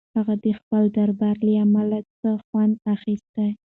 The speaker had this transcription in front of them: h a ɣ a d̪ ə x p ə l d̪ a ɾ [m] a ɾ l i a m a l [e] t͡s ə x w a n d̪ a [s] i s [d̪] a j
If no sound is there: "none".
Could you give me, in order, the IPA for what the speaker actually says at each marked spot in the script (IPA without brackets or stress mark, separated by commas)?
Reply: b, a, x, t̪